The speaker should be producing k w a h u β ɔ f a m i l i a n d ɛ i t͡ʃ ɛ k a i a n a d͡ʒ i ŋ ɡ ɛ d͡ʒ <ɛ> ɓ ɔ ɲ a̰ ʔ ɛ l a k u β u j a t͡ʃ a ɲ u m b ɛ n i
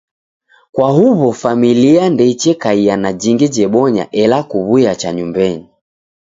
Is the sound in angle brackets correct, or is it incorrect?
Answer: correct